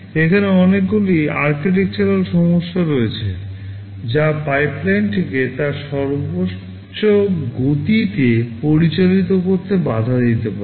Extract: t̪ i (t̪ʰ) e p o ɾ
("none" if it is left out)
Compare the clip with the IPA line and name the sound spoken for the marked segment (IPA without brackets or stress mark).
t̪